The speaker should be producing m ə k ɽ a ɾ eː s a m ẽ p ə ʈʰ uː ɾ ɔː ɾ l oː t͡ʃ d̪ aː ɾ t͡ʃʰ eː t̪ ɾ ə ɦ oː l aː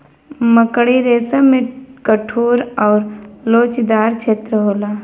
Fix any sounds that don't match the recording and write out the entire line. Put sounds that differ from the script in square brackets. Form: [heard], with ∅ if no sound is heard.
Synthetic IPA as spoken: m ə k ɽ [i] ɾ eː s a m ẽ [k] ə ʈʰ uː ɾ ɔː ɾ l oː t͡ʃ d̪ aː ɾ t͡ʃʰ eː t̪ ɾ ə ɦ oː l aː